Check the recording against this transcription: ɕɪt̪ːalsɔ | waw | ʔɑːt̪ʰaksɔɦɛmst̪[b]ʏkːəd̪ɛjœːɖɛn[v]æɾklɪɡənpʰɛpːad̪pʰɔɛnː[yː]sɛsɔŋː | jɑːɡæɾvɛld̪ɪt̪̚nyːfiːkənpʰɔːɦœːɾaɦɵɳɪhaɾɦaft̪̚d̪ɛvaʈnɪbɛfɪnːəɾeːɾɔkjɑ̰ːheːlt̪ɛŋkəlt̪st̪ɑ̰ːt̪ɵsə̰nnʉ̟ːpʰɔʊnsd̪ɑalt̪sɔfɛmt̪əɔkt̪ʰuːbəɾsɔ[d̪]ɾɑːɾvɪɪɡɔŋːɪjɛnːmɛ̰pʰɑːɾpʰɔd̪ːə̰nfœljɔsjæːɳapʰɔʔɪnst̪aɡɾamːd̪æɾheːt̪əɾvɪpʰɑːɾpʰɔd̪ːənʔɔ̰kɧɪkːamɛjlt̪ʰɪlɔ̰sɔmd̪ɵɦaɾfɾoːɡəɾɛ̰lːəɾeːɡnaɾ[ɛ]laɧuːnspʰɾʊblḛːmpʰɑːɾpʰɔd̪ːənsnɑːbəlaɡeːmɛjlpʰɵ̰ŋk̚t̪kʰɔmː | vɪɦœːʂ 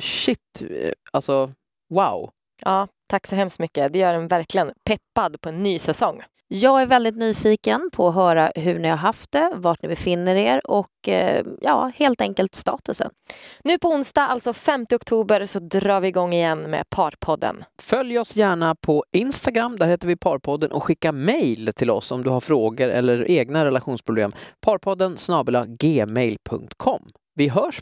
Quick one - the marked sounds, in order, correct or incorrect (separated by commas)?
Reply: incorrect, correct, correct, correct, correct